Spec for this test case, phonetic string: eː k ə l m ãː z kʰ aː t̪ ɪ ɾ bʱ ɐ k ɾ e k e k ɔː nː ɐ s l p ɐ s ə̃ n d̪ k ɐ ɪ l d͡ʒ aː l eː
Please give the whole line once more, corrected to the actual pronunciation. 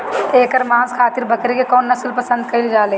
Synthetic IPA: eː k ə ɾ m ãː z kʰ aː t̪ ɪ ɾ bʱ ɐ k ɾ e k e k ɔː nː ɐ s l p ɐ s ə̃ n d̪ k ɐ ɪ l d͡ʒ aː l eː

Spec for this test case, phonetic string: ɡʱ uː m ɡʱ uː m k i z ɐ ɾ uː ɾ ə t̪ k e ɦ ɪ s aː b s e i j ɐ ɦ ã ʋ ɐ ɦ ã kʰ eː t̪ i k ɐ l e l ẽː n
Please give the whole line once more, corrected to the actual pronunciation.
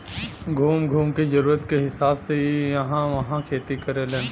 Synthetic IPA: ɡʱ uː m ɡʱ uː m k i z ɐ ɾ uː ɾ ə t̪ k e ɦ ɪ s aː b s e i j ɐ ɦ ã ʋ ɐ ɦ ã kʰ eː t̪ i k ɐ ɾ e l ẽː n

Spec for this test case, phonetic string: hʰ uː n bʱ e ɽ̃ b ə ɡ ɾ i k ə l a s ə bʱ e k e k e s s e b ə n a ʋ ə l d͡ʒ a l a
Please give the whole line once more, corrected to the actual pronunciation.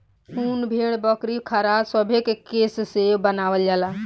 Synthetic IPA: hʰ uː n bʱ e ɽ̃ b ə k ɾ i kʰ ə ɾ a s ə bʱ e k e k e s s e b ə n a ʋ ə l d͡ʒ a l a

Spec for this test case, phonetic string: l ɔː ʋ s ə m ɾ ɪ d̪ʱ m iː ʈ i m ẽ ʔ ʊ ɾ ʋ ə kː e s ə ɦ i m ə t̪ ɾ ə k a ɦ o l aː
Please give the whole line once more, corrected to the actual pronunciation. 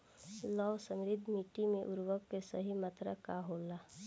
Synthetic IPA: l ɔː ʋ s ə m ɾ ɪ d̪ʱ m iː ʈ i m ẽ ʔ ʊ ɾ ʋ ə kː e s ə ɦ i m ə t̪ ɾ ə k a ɦ o l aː

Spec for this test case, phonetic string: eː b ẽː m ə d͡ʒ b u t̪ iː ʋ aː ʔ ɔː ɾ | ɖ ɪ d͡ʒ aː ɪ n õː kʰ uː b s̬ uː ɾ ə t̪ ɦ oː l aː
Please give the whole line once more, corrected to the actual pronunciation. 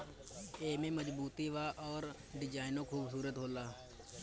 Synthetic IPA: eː m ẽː m ə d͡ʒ b uː t̪ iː ʋ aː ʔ ɔː ɾ | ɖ ɪ d͡ʒ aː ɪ n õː kʰ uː b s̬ uː ɾ ə t̪ ɦ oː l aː

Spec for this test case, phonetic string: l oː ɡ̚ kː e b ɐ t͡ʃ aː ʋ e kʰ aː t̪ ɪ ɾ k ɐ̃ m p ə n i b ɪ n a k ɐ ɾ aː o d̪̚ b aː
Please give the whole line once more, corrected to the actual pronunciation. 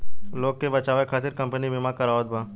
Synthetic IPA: l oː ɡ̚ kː e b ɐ t͡ʃ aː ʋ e kʰ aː t̪ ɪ ɾ k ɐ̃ m p ə n i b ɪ m a k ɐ ɾ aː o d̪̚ b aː

